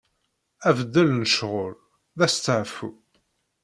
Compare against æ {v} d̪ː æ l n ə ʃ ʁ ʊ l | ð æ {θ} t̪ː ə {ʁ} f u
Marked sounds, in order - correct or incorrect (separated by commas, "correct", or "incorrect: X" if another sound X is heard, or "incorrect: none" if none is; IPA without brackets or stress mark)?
correct, incorrect: s, incorrect: ʕ